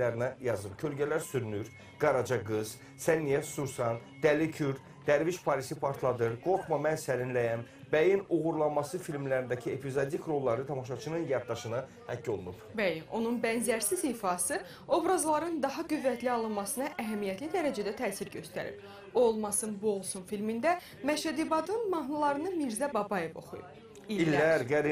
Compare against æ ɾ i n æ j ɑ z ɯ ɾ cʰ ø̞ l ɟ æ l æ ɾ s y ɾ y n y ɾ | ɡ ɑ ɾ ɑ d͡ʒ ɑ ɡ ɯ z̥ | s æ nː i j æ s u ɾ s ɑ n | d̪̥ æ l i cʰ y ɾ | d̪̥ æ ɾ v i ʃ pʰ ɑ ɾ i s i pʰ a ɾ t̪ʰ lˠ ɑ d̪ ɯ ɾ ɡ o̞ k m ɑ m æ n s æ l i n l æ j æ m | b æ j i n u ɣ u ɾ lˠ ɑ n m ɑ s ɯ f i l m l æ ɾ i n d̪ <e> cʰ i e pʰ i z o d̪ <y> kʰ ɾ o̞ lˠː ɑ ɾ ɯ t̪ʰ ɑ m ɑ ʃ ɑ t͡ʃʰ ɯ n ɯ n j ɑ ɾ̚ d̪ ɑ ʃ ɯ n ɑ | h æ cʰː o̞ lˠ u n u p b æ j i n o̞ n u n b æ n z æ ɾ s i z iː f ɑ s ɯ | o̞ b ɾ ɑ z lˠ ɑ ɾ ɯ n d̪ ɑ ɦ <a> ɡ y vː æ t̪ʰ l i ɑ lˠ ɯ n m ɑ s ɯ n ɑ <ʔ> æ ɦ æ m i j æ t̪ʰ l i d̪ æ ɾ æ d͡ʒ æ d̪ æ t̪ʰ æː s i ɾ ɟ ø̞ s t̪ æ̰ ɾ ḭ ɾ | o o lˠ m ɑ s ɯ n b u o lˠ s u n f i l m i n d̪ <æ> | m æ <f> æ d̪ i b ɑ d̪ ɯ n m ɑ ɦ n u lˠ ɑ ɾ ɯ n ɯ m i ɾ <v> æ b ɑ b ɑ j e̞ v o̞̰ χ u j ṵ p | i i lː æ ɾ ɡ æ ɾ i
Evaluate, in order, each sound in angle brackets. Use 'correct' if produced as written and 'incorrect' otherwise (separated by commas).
incorrect, incorrect, incorrect, correct, correct, incorrect, incorrect